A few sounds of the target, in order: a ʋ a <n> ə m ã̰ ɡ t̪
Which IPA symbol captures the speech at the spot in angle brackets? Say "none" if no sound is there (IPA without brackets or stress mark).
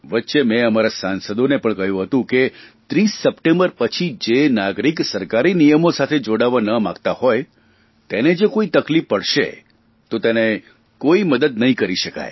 n